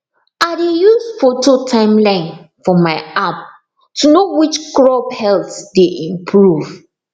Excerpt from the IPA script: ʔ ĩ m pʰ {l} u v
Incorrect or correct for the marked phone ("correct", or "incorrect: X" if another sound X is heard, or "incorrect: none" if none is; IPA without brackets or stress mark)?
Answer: incorrect: ɹ